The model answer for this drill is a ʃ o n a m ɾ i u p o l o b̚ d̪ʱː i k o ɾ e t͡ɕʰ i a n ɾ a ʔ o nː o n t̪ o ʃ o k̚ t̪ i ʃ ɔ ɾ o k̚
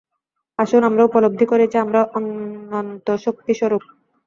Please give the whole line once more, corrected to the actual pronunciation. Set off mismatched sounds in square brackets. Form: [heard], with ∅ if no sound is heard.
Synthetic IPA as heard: a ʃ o n a m ɾ [a] u p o l o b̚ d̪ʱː i k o ɾ e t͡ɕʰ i a [m] ɾ a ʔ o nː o n t̪ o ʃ o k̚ t̪ i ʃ ɔ ɾ o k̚